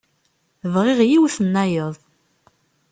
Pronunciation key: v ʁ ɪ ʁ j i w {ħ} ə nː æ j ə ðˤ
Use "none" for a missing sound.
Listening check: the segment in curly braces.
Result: θ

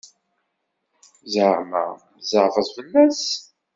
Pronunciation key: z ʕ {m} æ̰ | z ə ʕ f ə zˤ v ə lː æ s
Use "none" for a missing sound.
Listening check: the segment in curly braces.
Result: m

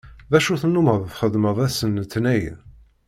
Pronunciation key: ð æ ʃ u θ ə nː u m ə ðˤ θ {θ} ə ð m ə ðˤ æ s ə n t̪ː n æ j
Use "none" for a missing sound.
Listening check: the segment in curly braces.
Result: χ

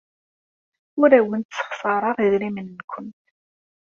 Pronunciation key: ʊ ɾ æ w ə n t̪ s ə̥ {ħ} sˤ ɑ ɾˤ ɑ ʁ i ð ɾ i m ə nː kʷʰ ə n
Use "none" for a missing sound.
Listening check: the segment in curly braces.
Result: χ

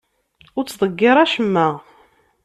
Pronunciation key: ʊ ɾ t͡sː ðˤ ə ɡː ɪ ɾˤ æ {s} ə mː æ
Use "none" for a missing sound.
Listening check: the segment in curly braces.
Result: ʃ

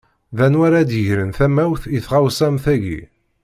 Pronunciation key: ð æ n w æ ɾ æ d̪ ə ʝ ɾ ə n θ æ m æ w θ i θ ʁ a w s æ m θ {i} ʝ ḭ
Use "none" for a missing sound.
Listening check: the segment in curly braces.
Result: æ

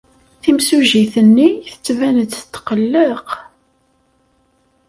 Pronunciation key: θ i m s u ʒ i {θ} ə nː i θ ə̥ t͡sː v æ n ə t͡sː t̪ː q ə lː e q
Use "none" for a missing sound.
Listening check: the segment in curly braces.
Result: θ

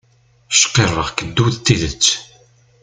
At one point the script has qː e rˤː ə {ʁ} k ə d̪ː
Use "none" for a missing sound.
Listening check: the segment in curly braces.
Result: ʁ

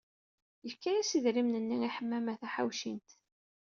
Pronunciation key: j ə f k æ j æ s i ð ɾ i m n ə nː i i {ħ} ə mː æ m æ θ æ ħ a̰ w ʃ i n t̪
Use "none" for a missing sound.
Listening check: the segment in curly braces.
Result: ħ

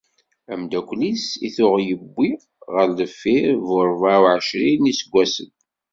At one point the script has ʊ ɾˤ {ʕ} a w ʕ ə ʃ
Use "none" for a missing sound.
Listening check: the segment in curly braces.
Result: v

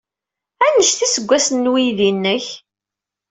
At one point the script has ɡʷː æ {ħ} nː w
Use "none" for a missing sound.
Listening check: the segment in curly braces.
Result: s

